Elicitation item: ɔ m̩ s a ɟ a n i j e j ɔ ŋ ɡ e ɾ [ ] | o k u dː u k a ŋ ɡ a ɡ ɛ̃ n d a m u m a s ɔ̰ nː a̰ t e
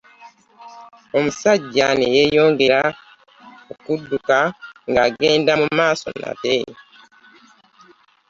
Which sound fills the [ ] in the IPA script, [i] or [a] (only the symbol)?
a